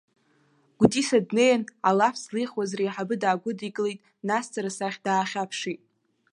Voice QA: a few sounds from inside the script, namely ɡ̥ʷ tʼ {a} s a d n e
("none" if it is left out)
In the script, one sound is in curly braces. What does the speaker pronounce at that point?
i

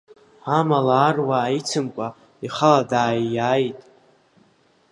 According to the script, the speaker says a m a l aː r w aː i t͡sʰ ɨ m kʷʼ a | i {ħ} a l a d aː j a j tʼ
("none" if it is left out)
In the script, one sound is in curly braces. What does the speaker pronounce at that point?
χ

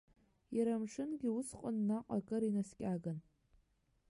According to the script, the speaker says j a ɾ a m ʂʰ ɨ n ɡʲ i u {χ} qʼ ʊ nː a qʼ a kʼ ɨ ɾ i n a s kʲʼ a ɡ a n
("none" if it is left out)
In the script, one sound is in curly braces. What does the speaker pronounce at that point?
s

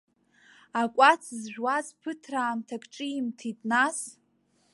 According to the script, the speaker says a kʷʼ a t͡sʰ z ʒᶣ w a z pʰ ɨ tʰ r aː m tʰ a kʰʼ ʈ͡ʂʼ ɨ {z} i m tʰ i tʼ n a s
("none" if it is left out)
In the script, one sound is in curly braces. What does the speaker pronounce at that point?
none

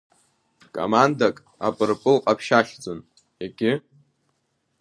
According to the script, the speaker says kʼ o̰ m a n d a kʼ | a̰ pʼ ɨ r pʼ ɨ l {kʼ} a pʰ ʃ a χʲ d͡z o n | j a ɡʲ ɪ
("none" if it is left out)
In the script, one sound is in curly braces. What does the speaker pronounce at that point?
qʼ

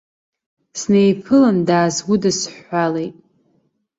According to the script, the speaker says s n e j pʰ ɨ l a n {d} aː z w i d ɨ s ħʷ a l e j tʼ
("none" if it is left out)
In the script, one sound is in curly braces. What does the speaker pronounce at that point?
d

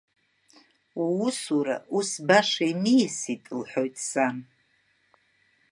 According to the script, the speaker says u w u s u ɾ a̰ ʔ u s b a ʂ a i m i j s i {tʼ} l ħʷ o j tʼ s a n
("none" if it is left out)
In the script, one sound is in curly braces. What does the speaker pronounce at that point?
tʼ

